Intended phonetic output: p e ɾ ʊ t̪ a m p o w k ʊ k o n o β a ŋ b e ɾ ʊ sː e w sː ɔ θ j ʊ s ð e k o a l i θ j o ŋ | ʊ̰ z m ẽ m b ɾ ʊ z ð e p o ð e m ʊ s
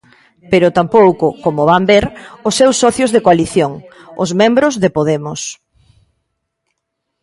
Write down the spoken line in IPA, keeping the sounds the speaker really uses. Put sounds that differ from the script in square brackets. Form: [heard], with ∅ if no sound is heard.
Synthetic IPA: p e ɾ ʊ t̪ a m p o w k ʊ k o [m] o β a [m] b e ɾ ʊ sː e w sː ɔ θ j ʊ [z] ð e k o a l i θ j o ŋ | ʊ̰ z m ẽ m b ɾ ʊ z ð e p o ð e m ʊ s